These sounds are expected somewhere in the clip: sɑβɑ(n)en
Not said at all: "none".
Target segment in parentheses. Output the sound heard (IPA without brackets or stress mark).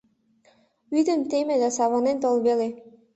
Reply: n